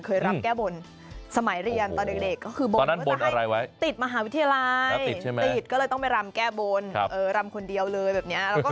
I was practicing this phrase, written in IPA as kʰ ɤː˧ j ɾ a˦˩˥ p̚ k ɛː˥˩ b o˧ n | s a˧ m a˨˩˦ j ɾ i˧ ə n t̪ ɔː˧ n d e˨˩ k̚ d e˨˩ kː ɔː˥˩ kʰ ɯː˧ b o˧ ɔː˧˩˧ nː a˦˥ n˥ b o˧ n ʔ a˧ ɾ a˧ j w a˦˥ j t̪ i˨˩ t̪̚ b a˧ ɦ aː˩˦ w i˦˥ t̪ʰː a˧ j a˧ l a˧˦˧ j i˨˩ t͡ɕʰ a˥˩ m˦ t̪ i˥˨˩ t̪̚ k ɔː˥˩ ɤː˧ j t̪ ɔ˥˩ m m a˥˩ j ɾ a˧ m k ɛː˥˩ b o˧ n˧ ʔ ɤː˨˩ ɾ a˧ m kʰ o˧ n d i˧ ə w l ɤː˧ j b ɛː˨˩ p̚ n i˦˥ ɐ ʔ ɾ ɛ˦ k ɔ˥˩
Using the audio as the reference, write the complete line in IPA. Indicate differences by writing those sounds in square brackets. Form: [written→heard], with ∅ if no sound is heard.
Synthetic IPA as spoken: kʰ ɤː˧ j ɾ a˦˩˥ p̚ k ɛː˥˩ b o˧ n | s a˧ m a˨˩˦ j ɾ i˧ ə n t̪ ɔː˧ n d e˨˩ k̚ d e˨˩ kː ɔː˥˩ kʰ ɯː˧ b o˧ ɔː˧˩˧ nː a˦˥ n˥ b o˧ n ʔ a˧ ɾ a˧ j w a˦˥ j t̪ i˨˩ t̪̚ [b→m] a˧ ɦ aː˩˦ w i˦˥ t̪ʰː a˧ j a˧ l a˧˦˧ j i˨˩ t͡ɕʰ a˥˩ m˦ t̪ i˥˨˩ t̪̚ k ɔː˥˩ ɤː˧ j t̪ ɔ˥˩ [m→ŋ] m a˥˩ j ɾ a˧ m k ɛː˥˩ b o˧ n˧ ʔ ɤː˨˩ ɾ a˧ m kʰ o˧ n d i˧ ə w l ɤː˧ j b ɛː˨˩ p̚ n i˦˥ ɐ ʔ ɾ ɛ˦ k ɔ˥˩